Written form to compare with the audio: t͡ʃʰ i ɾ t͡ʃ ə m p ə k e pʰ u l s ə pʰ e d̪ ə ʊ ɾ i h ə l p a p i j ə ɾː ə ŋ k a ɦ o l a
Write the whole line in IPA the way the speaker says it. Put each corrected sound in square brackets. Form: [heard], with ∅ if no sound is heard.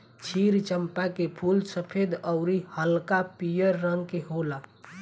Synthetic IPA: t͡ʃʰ i ɾ t͡ʃ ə m p [a] k e pʰ u l s ə pʰ e d̪ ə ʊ ɾ i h ə l [k] a p i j ə ɾː ə ŋ k [e] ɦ o l a